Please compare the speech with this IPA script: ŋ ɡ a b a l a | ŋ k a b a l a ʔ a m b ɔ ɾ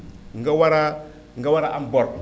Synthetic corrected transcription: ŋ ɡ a w a ɾ a | ŋ ɡ a w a ɾ a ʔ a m b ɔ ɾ